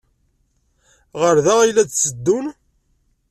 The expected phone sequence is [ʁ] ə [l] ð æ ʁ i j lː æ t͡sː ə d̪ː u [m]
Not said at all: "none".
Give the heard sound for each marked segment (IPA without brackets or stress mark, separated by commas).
ʁ, ɾ, n